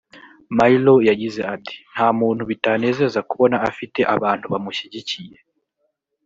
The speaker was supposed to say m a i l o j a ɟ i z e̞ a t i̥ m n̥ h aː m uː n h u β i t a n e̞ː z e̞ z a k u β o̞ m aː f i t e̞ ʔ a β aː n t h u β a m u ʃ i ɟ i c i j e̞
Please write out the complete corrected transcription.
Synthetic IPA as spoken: m a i l o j a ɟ i z e̞ a t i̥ n̥ h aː m uː n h u β i t a n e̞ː z e̞ z a k u β o̞ n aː f i t e̞ ʔ a β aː n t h u β a m u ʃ i ɟ i c i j e̞